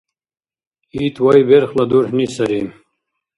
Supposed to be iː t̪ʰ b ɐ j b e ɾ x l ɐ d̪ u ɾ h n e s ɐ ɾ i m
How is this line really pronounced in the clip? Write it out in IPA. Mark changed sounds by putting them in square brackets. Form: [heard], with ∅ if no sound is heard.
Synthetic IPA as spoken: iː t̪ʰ [w] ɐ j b e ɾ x l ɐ d̪ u ɾ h n [i] s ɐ ɾ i m